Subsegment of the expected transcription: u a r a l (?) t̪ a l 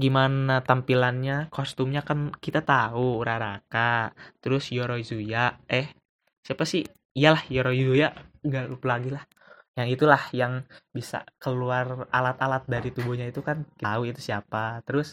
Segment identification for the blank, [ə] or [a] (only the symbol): a